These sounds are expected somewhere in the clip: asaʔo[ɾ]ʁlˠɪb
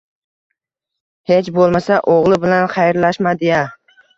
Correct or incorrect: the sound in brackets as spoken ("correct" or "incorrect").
incorrect